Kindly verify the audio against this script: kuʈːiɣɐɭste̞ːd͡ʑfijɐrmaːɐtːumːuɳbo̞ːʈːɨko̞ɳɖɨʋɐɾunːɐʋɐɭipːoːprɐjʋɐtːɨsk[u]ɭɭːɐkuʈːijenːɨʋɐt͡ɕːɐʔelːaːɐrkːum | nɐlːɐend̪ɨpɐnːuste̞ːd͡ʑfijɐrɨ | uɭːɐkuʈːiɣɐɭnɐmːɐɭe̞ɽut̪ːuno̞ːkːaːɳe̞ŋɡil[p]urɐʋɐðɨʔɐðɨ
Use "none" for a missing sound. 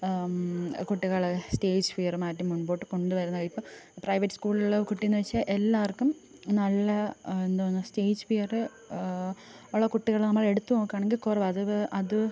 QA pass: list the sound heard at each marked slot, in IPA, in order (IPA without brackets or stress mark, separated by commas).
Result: uː, k